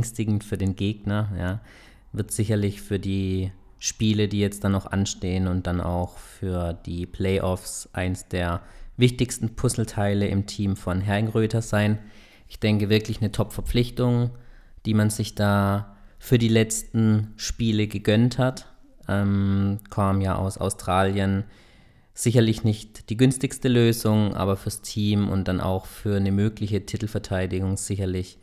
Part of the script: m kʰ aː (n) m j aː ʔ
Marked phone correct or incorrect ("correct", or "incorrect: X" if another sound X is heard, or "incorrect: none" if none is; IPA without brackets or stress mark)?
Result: incorrect: m